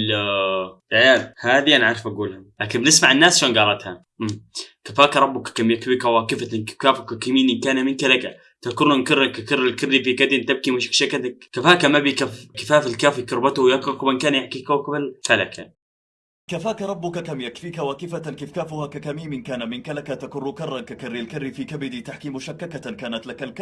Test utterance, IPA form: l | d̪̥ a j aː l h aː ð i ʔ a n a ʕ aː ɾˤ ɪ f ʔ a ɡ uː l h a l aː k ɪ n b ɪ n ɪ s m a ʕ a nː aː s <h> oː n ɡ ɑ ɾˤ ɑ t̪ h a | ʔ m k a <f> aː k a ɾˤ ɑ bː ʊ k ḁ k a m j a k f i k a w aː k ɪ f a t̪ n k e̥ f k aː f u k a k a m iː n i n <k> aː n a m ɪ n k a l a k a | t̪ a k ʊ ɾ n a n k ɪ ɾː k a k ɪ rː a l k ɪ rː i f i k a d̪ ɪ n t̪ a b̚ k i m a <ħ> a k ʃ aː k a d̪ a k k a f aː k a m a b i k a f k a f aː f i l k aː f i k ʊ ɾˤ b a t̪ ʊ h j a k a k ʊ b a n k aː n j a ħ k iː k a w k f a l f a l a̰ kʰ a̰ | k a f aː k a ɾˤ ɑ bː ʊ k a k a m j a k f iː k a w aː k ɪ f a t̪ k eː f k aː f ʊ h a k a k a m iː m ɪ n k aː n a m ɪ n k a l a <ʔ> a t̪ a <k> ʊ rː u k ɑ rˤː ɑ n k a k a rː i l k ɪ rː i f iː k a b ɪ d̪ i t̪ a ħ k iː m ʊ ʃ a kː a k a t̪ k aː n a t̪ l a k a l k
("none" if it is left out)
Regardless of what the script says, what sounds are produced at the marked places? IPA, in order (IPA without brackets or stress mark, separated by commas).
ʃ, f, k, ʃ, k, k